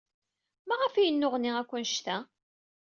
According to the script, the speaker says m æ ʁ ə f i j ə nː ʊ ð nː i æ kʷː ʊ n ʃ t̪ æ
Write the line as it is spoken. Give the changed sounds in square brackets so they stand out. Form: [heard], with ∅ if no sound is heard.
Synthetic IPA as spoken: m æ ʁ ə f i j ə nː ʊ [ʁ] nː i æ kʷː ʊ n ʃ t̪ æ